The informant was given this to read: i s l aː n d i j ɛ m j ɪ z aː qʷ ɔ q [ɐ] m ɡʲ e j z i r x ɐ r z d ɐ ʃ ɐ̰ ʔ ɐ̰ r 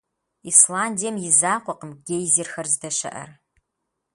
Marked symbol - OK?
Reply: no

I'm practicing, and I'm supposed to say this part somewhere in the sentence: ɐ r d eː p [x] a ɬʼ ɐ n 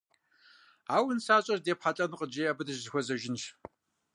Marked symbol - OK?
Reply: no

